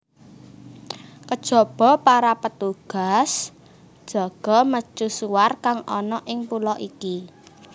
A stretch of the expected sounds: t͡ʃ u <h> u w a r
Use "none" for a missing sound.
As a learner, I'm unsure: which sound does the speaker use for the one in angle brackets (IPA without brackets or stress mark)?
s